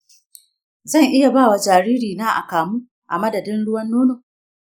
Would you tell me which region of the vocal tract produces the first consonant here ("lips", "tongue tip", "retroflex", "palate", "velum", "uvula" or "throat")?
tongue tip